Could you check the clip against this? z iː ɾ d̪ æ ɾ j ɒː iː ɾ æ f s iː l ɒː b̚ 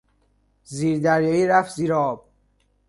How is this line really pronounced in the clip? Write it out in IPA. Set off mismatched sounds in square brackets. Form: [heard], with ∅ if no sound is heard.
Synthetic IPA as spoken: z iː ɾ d̪ æ ɾ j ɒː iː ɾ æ f [z] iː [ɾ] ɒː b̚